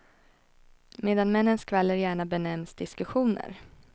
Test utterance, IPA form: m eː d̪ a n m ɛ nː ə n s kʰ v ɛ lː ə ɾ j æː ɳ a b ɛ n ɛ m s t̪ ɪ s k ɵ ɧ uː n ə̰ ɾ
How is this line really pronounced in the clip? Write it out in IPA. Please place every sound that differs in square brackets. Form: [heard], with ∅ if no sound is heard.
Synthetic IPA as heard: m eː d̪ a n m ɛ nː ə n s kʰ v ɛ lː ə ɾ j æː ɳ a b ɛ n ɛ m s [d̪] ɪ s k ɵ ɧ uː n ə̰ ɾ